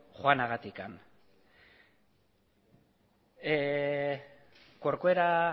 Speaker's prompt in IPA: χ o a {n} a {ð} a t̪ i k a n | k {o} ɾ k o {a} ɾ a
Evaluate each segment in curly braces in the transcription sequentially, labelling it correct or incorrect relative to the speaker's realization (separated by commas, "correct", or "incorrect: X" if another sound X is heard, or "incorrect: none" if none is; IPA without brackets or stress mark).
correct, incorrect: ɣ, correct, incorrect: e